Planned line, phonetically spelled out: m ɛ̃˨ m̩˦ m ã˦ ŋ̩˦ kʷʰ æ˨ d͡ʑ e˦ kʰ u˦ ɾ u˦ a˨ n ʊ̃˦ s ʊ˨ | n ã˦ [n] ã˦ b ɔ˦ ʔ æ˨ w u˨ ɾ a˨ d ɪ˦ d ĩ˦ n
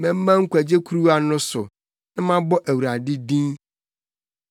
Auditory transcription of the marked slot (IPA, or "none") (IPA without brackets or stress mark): m